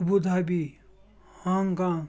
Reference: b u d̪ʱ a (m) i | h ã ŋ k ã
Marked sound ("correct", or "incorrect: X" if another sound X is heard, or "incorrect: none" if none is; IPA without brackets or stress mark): incorrect: b